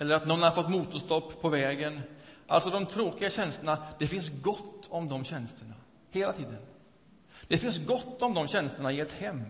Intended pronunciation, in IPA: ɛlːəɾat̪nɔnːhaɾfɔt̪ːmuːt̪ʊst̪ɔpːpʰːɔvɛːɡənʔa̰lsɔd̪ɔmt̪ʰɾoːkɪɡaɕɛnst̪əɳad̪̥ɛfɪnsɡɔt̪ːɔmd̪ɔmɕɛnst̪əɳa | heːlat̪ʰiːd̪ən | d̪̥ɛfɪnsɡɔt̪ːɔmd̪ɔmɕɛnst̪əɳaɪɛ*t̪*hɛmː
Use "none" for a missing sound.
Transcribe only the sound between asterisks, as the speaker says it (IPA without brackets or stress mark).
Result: t̪